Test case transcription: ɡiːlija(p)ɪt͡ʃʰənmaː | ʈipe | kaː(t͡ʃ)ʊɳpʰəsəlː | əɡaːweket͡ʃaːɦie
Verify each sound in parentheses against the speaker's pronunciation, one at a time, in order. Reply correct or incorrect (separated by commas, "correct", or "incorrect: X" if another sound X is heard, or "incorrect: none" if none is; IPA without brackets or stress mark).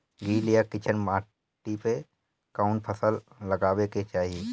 incorrect: k, incorrect: none